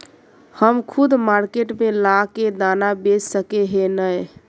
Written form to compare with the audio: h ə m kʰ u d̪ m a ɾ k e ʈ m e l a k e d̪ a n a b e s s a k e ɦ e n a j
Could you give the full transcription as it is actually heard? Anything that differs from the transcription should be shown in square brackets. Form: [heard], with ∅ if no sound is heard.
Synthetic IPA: h ə m kʰ u d̪ m a ɾ k e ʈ m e l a k e d̪ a n a b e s s [ə] k e ɦ e n [ə] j